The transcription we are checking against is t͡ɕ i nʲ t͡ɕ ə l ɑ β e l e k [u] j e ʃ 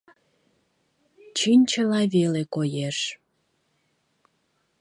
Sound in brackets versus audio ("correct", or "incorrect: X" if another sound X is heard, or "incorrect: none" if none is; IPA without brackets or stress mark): incorrect: o